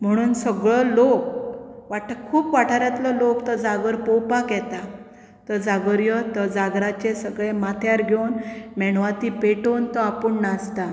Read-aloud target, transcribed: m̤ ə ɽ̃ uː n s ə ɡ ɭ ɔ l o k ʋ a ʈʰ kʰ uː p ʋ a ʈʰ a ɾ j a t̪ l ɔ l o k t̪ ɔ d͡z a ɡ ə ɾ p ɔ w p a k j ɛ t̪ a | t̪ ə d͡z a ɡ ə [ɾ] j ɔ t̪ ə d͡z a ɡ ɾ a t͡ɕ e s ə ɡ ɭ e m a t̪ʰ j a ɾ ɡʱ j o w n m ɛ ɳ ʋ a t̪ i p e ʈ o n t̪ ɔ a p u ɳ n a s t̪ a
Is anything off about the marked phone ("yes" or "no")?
no